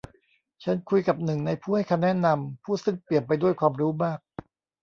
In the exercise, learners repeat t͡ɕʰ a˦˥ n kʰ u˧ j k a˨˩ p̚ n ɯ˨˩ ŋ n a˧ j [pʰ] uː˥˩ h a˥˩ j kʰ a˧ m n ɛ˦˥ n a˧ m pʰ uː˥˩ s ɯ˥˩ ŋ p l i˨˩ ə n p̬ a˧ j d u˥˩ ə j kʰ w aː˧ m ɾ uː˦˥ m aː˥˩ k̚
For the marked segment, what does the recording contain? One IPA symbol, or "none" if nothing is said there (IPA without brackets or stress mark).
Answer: pʰ